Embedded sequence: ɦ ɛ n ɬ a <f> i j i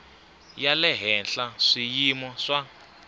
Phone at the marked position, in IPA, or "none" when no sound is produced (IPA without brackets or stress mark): ʂ